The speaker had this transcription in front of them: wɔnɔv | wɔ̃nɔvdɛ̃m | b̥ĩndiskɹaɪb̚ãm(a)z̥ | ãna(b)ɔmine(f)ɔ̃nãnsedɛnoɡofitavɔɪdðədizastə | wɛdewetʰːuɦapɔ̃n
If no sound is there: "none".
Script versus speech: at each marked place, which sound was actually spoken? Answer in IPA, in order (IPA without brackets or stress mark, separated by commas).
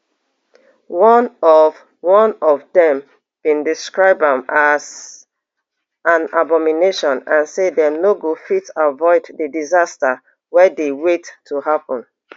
a, b, ʃ